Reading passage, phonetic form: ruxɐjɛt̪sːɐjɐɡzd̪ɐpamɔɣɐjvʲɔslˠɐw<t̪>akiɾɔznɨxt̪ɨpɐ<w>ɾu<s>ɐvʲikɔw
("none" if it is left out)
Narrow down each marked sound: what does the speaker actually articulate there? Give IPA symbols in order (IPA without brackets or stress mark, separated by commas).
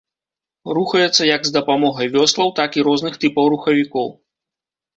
t̪, w, x